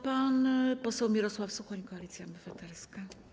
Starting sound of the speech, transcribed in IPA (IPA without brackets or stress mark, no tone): p